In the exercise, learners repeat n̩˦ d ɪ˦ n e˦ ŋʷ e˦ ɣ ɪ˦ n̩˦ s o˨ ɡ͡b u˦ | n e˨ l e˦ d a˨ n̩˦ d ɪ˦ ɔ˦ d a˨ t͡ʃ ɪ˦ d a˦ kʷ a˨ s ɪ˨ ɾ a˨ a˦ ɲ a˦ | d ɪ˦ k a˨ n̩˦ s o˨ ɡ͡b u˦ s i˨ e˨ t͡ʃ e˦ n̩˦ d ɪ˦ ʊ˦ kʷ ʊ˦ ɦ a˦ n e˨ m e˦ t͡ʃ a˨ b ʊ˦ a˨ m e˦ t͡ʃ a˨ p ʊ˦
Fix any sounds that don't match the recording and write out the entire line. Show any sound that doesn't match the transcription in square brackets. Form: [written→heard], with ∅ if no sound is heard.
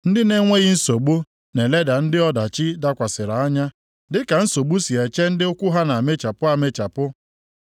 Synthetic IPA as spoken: n̩˦ d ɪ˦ n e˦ ŋʷ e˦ ɣ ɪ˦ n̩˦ s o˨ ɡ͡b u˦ | n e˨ l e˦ d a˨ n̩˦ d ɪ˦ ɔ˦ d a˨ t͡ʃ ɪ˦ d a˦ kʷ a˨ s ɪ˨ ɾ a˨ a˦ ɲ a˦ | d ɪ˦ k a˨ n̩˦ s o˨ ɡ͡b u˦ s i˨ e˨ t͡ʃ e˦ n̩˦ d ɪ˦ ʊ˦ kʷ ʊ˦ ɦ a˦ n [e˨→a˨] m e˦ t͡ʃ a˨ [b→p] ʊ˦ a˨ m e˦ t͡ʃ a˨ p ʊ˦

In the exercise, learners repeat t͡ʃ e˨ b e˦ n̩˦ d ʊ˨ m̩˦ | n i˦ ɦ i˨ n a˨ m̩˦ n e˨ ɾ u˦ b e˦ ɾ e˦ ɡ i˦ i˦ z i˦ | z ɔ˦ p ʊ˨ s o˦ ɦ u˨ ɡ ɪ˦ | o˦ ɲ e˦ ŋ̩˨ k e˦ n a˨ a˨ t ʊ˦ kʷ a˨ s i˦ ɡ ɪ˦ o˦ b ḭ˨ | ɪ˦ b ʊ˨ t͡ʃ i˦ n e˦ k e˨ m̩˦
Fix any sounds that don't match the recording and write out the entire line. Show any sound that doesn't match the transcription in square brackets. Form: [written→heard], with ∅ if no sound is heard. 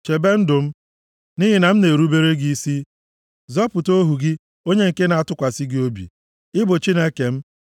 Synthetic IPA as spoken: t͡ʃ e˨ b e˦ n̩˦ d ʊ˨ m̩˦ | n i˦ ɦ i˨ n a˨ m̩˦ n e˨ ɾ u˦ b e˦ ɾ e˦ ɡ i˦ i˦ [z→s] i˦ | z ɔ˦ p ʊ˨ [s→t] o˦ ɦ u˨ ɡ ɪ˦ | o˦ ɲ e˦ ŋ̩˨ k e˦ n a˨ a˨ t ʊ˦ kʷ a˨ s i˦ ɡ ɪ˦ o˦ b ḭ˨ | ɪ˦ b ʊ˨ t͡ʃ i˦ n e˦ k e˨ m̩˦

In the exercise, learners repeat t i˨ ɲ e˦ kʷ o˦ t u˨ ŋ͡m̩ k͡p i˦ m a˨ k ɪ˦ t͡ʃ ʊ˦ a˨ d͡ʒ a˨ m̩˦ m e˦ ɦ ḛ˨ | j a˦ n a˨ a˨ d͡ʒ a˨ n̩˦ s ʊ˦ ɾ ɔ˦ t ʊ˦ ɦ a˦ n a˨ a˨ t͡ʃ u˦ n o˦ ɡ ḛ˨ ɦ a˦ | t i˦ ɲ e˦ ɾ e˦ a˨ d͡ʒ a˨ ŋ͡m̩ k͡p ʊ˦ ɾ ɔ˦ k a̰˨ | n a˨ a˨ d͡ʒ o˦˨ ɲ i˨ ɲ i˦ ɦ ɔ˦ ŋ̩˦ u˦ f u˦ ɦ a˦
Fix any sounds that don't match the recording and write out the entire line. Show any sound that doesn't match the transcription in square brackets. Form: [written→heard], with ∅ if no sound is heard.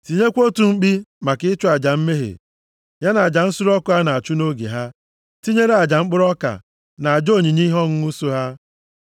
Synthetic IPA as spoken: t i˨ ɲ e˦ kʷ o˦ t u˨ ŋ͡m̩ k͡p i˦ m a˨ k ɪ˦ t͡ʃ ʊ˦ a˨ d͡ʒ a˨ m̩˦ m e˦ ɦ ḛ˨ | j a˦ n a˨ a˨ d͡ʒ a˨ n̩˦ s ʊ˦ ɾ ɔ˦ [t→k] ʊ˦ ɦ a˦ n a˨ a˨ t͡ʃ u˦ n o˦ ɡ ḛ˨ ɦ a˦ | t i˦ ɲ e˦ ɾ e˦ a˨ d͡ʒ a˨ ŋ͡m̩ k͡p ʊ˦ ɾ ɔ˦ k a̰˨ | n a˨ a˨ d͡ʒ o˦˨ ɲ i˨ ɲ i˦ ɦ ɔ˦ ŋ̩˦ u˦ [f→s] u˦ ɦ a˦

